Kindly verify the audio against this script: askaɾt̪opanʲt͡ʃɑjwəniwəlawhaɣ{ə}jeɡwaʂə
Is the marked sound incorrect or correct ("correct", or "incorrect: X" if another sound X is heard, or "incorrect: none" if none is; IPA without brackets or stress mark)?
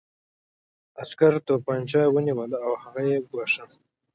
incorrect: a